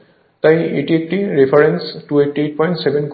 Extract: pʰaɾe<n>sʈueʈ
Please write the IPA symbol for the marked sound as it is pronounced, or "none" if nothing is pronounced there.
n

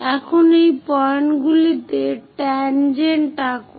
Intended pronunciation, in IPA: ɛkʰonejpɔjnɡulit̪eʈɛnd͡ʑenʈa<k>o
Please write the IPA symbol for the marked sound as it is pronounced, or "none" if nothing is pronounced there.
k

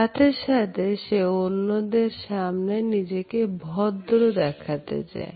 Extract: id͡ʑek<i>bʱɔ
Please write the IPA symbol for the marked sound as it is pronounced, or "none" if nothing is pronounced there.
e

